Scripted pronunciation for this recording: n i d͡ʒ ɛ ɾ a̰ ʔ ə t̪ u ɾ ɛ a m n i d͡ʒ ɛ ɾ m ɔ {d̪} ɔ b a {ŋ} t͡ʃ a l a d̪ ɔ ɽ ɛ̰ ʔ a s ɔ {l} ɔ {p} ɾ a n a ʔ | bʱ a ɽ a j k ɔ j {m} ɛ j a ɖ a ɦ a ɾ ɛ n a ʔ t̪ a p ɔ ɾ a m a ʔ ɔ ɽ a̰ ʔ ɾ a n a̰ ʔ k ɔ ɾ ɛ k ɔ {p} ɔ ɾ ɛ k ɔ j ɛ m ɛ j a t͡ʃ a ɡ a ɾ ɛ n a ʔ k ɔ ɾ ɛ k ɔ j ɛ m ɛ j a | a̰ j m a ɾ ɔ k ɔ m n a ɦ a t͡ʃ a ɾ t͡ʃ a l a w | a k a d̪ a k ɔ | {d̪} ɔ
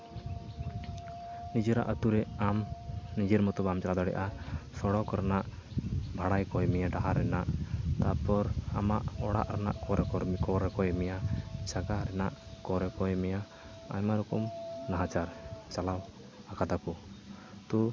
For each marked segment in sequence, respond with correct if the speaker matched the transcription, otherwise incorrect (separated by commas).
incorrect, incorrect, incorrect, incorrect, correct, incorrect, incorrect